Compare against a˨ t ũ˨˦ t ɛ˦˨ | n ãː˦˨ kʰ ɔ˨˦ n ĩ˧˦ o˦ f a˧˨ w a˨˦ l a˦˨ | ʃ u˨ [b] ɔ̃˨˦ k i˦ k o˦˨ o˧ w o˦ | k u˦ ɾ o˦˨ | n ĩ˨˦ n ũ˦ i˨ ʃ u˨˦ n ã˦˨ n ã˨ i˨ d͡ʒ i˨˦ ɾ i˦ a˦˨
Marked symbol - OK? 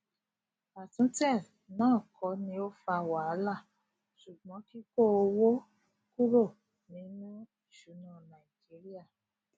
no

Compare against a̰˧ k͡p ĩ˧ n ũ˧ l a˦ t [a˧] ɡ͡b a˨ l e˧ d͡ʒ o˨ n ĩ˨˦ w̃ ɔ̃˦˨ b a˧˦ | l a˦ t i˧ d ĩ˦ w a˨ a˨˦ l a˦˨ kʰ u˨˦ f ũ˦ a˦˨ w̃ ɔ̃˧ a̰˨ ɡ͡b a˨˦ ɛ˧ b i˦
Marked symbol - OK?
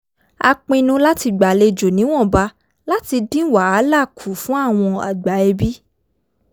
no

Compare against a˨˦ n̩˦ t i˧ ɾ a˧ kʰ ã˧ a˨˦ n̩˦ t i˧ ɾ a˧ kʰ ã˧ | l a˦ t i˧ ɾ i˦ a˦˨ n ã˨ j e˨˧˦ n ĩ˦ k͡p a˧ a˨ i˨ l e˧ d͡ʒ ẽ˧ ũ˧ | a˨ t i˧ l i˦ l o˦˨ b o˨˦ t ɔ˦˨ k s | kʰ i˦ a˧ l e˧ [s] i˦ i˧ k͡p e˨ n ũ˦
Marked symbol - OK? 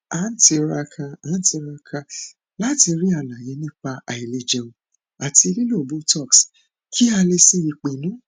yes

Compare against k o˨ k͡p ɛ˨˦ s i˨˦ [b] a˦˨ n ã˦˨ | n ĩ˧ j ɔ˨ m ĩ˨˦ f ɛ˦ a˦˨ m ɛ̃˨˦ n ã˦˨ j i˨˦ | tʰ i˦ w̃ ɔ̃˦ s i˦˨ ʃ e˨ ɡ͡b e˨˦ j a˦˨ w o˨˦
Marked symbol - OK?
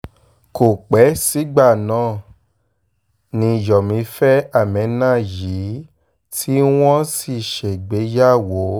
no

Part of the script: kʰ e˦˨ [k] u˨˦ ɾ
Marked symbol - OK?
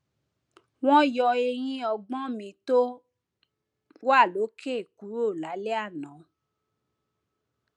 yes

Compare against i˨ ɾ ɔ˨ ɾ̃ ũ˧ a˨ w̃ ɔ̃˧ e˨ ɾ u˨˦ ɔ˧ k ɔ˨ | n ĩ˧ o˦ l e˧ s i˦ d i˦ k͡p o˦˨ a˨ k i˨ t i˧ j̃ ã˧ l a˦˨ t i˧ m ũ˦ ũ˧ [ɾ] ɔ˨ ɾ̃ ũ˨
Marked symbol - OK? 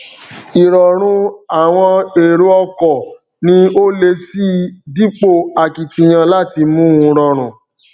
yes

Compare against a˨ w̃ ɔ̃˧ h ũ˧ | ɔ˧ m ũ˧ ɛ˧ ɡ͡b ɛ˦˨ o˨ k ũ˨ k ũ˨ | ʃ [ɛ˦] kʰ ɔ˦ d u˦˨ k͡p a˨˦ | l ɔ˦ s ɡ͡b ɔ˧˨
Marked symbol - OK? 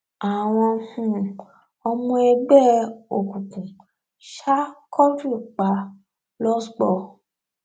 no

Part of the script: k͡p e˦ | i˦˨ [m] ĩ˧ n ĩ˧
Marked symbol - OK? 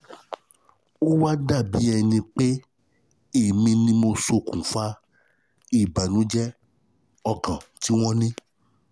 yes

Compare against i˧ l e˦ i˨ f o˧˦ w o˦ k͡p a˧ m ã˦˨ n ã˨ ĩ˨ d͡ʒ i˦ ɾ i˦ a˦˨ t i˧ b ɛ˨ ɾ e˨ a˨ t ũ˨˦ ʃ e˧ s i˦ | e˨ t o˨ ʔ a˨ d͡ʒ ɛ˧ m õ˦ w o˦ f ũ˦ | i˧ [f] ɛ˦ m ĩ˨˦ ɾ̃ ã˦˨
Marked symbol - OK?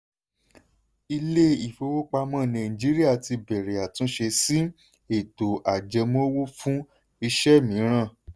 no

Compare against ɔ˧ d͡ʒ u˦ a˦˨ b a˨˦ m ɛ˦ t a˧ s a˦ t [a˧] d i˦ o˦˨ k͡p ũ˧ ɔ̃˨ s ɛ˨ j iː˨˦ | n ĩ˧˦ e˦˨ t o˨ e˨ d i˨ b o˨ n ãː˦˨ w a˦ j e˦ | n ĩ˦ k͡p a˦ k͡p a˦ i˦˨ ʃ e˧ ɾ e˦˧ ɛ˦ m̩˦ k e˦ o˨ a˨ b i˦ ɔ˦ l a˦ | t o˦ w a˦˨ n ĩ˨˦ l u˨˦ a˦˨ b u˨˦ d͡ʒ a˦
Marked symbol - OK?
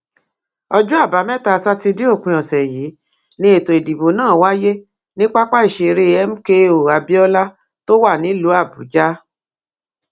no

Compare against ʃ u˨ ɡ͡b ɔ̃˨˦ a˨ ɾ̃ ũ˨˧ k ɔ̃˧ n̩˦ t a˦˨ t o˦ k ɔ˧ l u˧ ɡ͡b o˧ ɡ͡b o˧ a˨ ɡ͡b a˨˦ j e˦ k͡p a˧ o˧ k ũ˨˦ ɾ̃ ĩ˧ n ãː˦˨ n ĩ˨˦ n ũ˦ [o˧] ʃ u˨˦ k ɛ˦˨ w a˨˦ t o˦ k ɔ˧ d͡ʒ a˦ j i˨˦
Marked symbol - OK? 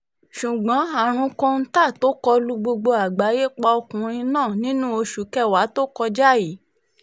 yes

